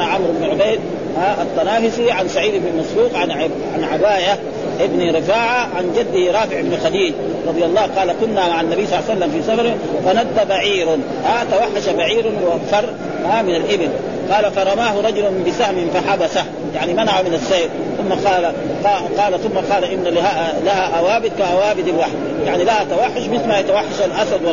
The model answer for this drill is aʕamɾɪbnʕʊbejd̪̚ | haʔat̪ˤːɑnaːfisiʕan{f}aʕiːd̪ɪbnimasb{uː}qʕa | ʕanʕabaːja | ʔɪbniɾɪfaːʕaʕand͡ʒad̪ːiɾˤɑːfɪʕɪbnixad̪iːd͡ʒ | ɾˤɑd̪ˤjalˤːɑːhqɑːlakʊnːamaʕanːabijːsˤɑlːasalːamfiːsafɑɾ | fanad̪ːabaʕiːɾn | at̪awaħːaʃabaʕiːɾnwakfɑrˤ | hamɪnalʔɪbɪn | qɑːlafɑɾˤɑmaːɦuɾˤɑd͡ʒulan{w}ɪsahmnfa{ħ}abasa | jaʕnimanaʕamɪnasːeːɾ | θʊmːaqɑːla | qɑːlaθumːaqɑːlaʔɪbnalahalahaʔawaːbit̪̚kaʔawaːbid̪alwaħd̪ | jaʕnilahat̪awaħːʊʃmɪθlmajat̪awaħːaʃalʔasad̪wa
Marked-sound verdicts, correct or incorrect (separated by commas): incorrect, correct, incorrect, correct